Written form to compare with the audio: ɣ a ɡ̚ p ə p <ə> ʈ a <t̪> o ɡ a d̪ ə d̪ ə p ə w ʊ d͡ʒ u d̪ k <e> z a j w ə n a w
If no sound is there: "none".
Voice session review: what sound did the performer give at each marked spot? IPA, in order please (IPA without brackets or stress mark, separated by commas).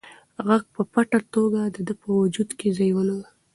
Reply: a, t̪, e